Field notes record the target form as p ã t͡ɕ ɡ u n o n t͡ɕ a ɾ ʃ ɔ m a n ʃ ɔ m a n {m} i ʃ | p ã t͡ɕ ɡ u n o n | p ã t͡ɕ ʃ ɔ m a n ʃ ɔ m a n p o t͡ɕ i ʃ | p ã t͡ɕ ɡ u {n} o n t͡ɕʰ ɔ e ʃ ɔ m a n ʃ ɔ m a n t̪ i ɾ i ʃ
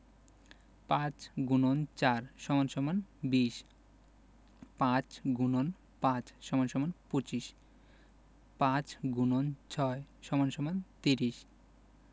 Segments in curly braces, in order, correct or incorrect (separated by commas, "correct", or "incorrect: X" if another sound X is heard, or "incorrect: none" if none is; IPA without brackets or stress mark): incorrect: b, correct